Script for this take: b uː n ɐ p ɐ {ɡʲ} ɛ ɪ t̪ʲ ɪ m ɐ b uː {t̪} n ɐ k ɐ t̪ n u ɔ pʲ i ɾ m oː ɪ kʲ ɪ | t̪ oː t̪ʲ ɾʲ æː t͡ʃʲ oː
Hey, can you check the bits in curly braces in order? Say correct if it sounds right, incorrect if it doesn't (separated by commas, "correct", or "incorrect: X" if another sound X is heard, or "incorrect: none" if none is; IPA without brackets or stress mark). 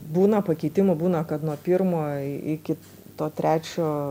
incorrect: kʲ, incorrect: none